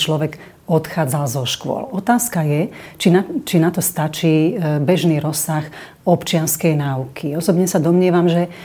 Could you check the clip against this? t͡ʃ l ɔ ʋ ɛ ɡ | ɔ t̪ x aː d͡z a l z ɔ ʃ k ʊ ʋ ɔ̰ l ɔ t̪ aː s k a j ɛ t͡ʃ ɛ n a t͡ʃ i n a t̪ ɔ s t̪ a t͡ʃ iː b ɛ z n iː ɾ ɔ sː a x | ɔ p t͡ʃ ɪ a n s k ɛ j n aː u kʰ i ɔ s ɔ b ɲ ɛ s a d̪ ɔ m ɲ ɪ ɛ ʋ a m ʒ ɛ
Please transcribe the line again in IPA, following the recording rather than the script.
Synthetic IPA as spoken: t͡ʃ l ɔ ʋ ɛ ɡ | ɔ t̪ x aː d͡z a l z ɔ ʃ k ʊ ɔ̰ l ɔ t̪ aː s k a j ɛ t͡ʃ i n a t͡ʃ i n a t̪ ɔ s t̪ a t͡ʃ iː b ɛ ʒ n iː ɾ ɔ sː a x | ɔ p t͡ʃ ɪ a n s k ɛ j n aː u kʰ i ɔ s ɔ b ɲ ɛ s a d̪ ɔ m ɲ ɪ ɛ ʋ a m ʒ ɛ